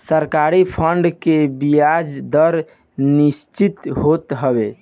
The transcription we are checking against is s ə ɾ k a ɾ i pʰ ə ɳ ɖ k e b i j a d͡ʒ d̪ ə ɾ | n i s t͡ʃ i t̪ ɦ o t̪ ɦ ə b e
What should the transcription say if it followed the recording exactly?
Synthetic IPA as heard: s ə ɾ k a ɾ i pʰ ə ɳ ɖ k e b i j a d͡ʒ d̪ ə ɾ | n i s t͡ʃ i t̪ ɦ o t̪ ɦ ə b e